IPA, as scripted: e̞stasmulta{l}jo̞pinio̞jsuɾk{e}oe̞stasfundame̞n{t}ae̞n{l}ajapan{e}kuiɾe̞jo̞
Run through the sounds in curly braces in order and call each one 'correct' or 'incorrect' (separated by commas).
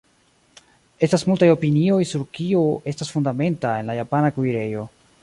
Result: incorrect, incorrect, correct, correct, incorrect